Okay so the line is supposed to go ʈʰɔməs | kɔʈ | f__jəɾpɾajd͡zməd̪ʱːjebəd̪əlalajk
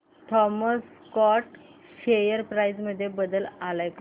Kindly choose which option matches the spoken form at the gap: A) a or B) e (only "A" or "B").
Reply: B